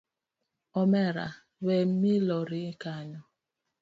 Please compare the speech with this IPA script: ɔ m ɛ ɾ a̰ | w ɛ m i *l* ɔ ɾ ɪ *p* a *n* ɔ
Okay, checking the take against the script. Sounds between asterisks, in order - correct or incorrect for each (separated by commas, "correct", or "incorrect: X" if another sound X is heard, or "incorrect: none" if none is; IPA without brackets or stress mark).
correct, incorrect: k, incorrect: ɲ